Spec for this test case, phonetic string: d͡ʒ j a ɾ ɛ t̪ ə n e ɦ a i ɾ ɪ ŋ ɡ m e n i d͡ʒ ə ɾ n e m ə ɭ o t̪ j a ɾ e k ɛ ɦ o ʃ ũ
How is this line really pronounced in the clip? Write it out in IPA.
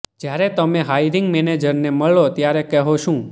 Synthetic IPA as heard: d͡ʒ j a ɾ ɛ t̪ ə m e ɦ a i ɾ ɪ ŋ ɡ m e n e d͡ʒ ə ɾ n e m ə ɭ o t̪ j a ɾ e k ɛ ɦ o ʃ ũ